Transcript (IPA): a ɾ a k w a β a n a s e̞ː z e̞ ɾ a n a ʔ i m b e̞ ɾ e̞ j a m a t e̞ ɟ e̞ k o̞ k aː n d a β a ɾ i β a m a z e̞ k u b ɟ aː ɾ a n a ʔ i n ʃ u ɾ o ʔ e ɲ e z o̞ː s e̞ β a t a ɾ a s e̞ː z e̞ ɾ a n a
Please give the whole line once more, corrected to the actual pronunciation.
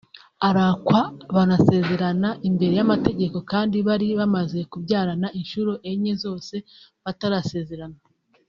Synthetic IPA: a ɾ a k w a β a n a s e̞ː z e̞ ɾ a n a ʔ i m b e̞ ɾ e̞ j a m a t e̞ ɟ e̞ k o̞ k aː n d i β a ɾ i β a m a z e̞ k u b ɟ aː ɾ a n a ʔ i n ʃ u ɾ o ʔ e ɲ e z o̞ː s e̞ β a t a ɾ a s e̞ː z e̞ ɾ a n a